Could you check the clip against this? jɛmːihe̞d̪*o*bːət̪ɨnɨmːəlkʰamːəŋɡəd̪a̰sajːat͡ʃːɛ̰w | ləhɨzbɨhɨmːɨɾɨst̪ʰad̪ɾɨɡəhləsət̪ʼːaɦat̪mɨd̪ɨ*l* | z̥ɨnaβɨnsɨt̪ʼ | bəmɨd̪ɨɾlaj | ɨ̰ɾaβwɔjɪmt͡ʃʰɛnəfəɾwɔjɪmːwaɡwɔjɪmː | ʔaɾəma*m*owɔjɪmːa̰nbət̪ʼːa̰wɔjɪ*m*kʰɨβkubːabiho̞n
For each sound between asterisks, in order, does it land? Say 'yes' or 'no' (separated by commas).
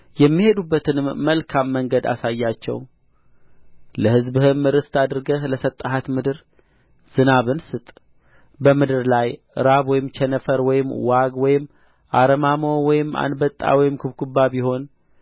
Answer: no, no, yes, yes